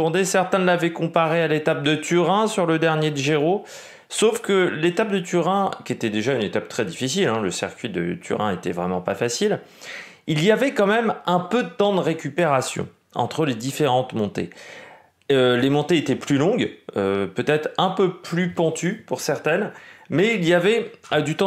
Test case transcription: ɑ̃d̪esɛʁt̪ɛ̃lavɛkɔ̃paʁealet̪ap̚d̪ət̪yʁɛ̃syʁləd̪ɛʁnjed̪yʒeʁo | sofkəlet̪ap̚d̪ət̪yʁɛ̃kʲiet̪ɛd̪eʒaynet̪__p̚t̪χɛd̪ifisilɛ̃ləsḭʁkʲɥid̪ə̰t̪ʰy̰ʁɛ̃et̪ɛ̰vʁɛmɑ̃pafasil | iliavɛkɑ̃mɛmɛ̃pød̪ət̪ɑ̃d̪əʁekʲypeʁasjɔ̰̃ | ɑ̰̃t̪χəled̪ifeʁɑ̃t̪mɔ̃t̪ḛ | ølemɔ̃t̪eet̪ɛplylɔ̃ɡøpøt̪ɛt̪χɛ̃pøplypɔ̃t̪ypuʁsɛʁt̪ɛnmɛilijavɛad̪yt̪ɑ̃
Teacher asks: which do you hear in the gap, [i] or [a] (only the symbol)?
a